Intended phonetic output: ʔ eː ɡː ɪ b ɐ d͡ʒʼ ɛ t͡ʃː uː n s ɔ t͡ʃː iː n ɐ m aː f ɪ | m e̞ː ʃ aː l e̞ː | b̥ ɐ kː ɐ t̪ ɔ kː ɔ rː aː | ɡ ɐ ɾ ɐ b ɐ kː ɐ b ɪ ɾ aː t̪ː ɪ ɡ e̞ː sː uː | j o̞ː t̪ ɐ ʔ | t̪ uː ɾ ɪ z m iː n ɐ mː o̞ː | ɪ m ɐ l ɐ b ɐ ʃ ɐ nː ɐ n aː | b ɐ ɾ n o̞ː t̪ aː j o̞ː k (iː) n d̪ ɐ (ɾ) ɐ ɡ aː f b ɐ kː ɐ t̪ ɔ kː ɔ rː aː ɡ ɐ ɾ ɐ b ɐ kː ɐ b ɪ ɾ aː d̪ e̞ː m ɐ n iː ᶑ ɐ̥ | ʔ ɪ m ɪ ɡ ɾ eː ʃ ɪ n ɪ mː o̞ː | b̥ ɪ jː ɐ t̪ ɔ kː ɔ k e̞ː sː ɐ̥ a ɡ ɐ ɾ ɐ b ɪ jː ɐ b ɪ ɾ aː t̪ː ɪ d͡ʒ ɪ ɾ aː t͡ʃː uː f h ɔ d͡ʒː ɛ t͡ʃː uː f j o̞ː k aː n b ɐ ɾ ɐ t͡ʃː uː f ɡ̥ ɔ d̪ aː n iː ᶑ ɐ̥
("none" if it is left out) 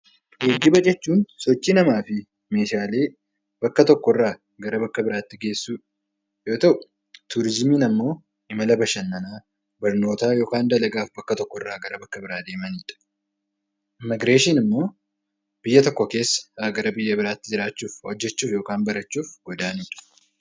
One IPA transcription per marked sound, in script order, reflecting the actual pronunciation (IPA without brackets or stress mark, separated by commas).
aː, l